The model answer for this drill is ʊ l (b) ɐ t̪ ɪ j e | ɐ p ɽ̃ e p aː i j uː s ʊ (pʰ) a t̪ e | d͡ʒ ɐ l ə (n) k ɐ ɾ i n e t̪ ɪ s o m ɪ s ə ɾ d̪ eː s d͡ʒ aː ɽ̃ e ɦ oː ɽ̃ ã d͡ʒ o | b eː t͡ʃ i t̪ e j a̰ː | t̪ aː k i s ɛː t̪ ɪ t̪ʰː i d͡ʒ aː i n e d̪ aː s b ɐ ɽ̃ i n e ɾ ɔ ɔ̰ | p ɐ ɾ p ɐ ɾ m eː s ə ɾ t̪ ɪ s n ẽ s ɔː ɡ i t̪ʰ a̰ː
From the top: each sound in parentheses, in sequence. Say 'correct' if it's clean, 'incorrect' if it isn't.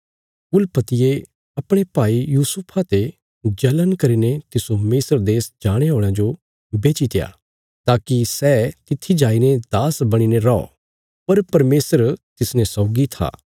incorrect, correct, correct

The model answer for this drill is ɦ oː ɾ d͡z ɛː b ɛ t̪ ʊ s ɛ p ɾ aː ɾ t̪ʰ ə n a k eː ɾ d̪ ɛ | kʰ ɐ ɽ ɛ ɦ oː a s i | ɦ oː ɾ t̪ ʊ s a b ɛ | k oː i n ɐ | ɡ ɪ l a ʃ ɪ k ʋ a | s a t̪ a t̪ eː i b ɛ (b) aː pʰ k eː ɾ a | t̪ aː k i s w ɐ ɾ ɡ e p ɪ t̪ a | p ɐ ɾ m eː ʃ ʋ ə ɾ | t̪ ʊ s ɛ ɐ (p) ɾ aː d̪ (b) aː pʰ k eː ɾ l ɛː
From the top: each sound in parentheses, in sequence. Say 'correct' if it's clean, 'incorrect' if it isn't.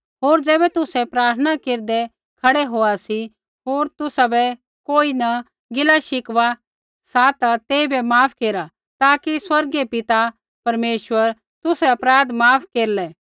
incorrect, correct, incorrect

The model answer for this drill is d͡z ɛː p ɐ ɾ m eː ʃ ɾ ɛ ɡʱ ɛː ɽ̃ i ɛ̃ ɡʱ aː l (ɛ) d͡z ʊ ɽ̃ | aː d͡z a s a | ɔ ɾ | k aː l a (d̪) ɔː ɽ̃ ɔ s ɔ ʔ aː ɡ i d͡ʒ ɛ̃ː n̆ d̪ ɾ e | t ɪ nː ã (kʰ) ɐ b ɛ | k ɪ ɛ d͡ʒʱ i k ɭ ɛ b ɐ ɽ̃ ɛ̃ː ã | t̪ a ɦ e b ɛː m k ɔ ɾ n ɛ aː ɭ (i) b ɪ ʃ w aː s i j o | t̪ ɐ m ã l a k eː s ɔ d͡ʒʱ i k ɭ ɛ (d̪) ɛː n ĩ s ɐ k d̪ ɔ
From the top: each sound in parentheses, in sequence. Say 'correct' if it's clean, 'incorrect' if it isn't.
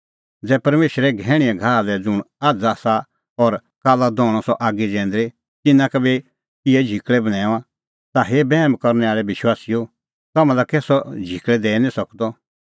correct, correct, incorrect, incorrect, correct

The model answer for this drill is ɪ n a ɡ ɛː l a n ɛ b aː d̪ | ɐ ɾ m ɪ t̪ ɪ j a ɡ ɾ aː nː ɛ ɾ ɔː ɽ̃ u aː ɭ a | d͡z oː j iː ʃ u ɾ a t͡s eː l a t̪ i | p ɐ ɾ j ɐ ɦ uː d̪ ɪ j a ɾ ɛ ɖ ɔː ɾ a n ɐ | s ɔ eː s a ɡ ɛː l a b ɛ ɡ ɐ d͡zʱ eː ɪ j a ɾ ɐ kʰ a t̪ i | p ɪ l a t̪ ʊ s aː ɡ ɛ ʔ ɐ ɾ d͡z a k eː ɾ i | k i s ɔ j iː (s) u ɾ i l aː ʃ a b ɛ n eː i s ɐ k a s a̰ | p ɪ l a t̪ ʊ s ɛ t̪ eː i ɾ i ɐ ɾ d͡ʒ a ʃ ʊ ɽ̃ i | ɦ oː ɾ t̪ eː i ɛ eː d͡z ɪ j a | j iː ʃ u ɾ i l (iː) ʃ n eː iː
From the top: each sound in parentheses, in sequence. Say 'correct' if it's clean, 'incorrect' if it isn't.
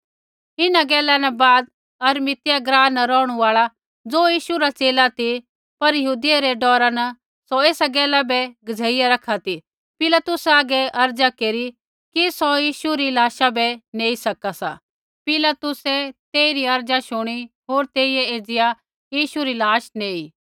incorrect, incorrect

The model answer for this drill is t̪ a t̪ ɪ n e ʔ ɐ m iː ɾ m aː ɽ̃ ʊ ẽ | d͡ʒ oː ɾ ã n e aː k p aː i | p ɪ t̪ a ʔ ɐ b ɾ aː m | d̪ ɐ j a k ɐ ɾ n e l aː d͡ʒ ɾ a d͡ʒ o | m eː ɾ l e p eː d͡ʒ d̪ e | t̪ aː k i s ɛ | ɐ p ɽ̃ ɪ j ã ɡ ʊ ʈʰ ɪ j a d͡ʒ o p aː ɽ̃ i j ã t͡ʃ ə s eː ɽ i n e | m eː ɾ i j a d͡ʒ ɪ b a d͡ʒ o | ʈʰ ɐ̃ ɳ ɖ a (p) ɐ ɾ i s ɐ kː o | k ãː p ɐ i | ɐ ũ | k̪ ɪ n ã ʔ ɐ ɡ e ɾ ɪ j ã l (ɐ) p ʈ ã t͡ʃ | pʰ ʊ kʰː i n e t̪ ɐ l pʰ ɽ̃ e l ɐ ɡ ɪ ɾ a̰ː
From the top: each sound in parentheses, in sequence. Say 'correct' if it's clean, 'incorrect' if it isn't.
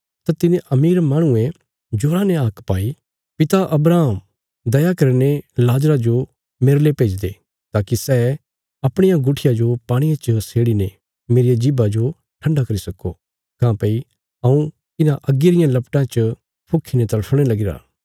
incorrect, correct

